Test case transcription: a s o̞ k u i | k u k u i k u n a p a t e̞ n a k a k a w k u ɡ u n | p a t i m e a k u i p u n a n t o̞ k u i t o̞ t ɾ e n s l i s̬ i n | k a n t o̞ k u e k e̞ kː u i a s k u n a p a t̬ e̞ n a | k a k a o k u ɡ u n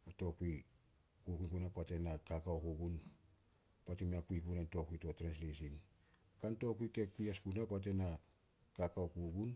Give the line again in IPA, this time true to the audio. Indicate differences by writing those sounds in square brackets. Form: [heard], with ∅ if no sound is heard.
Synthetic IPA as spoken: a [t] o̞ k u i | k u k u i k u n a p a t e̞ n a k a k a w k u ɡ u n | p a t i m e a k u i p u n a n t o̞ k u i t o̞ t ɾ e n s l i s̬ i n | k a n t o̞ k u [i] k e̞ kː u i a s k u n a p a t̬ e̞ n a | k a k a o k u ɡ u n